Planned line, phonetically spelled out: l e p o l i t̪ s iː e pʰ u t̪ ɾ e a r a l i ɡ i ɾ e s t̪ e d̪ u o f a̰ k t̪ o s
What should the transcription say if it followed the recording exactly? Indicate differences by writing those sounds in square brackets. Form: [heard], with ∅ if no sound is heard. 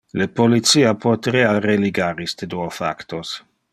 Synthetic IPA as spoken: l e p o l i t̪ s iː [a] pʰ [o] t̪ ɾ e a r [e] l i ɡ [a] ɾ [i] s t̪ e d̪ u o f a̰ k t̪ o s